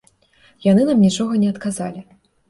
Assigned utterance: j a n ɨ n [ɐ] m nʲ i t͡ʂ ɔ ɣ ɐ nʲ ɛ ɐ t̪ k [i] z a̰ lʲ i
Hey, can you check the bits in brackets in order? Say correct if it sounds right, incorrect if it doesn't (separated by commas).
incorrect, incorrect